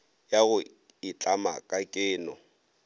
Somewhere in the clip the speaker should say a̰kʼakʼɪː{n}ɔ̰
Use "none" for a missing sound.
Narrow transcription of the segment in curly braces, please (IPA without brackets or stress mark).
n